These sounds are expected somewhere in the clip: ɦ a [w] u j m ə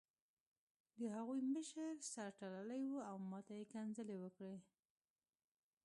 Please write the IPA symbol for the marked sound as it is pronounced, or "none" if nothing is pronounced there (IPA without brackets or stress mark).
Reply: ɣ